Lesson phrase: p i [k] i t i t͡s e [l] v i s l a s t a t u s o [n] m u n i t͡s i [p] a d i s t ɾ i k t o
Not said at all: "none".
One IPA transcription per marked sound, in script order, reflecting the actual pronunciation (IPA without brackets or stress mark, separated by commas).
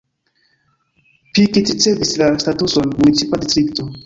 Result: k, none, n, p